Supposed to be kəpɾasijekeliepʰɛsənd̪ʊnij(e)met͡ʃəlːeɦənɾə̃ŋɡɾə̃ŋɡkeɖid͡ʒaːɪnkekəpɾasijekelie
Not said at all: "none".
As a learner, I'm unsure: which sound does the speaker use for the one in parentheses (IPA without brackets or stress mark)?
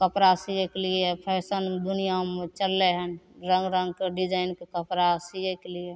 a